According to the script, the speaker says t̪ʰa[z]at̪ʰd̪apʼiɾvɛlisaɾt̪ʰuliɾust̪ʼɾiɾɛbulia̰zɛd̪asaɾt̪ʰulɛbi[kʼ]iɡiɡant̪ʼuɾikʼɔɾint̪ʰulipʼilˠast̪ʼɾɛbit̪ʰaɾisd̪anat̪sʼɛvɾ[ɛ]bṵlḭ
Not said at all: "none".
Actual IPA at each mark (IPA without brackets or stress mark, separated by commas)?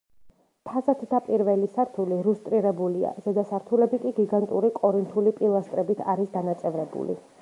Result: z, kʼ, ɛ